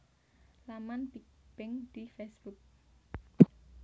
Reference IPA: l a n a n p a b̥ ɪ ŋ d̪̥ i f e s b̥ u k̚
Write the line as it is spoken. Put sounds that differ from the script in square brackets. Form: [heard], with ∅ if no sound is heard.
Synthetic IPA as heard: l a [m] a n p [i] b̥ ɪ ŋ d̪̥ i f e s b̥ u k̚